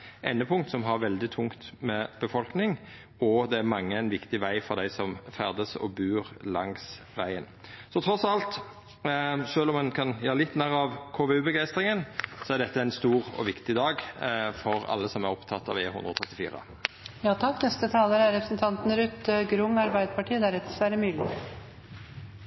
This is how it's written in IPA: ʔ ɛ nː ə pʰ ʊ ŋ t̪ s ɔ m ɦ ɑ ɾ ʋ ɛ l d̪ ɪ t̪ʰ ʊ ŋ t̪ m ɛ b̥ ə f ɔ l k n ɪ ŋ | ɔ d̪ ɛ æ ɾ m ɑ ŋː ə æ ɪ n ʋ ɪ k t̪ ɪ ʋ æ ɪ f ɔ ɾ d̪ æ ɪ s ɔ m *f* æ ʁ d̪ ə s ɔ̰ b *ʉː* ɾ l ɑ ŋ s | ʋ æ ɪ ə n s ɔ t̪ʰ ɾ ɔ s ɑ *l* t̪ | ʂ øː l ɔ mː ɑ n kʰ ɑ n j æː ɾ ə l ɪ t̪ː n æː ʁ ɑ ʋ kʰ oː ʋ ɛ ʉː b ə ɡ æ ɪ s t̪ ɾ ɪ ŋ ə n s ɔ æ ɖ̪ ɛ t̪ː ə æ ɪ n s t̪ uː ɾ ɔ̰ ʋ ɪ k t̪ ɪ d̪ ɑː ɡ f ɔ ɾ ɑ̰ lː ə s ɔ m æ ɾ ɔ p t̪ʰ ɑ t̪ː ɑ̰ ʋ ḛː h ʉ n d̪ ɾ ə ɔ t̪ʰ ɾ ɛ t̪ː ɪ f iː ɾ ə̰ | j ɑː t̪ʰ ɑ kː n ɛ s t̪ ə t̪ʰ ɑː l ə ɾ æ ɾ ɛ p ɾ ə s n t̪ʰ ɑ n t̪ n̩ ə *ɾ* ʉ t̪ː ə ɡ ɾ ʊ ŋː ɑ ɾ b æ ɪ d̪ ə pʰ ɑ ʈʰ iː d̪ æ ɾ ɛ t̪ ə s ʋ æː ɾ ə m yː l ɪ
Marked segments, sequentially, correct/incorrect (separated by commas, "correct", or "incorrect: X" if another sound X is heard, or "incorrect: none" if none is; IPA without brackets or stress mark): correct, correct, correct, correct